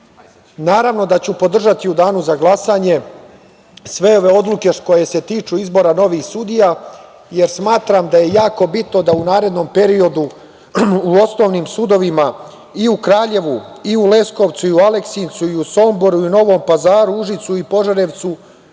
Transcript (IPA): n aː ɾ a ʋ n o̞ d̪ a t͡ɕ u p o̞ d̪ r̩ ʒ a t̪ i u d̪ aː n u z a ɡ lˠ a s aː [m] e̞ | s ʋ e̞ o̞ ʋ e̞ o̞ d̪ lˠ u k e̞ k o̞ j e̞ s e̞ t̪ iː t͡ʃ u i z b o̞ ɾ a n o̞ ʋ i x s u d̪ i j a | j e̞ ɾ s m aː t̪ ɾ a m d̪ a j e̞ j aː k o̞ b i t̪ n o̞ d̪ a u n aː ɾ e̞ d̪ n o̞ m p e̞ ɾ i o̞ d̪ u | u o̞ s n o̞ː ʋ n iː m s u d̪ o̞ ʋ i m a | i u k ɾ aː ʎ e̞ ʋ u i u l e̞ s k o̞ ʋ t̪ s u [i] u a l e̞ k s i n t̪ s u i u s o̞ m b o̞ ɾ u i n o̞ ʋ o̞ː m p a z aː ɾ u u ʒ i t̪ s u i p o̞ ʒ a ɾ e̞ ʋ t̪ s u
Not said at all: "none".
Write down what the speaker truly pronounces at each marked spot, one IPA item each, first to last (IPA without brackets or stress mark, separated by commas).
ɲ, i